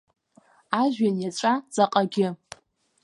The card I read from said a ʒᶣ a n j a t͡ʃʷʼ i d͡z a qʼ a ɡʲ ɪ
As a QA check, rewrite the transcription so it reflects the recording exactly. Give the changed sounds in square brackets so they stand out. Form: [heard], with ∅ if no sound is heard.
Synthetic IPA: a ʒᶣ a n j a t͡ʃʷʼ [a] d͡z a qʼ a ɡʲ ɪ